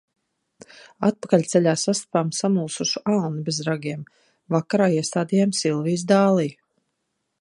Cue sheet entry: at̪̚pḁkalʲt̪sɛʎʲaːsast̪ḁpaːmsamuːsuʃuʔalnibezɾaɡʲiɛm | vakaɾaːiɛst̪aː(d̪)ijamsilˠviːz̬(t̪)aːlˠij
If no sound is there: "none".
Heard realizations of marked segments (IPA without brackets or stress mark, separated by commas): d̪, d̪